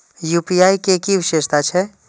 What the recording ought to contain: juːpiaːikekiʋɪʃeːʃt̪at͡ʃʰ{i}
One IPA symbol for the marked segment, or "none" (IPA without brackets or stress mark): ɛ